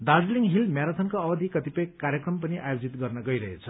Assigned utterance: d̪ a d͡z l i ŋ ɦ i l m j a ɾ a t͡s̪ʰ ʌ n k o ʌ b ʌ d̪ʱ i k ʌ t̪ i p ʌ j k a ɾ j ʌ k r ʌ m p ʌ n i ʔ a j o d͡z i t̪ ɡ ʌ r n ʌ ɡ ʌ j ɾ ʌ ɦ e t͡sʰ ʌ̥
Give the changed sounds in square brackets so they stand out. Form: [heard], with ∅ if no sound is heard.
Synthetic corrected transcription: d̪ a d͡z l i ŋ ɦ i l m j a ɾ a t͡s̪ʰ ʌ n k o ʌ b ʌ d̪ʱ i k ʌ t̪ i p ʌ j k a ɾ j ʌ k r ʌ m p ʌ n i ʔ a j o d͡z i t̪ ɡ ʌ r n ʌ ɡ ʌ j ɾ ʌ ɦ e t͡sʰ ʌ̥